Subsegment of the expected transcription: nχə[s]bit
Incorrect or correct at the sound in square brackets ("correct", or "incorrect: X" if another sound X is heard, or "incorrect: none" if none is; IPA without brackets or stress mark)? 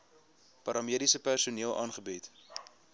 incorrect: none